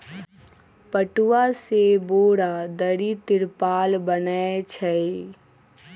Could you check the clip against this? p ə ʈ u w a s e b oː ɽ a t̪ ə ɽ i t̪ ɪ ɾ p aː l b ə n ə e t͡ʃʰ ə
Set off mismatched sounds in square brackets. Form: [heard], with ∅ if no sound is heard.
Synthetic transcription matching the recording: p ə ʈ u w a s e b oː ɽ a [d̪] ə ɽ i t̪ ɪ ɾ p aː l b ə n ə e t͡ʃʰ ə